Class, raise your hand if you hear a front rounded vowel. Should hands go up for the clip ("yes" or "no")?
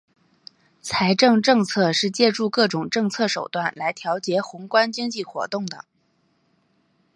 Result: no